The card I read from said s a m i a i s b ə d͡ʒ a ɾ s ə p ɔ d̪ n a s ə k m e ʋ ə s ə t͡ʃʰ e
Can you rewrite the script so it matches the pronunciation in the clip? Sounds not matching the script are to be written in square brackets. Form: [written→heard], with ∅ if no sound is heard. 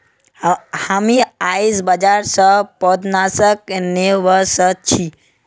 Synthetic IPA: [s→h] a m i a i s b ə d͡ʒ a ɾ s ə p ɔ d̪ n a s ə k [m→n] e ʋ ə s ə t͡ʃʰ [e→i]